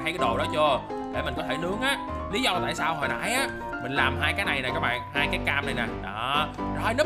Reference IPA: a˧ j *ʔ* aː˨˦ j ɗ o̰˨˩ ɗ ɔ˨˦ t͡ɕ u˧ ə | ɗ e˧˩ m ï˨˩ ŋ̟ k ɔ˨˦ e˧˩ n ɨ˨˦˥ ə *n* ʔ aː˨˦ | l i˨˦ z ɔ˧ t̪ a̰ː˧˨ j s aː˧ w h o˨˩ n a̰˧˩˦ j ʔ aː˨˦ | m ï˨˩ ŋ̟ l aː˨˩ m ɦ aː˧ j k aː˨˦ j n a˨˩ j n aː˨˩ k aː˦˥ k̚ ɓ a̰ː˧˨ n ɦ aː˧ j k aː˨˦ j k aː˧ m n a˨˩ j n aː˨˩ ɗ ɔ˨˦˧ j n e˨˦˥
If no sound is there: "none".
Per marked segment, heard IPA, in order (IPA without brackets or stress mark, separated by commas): k, ŋ